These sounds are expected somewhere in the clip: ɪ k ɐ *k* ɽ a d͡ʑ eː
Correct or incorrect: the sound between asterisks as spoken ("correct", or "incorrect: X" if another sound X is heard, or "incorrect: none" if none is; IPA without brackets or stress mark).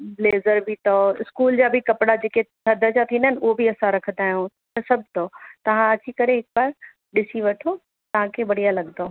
incorrect: p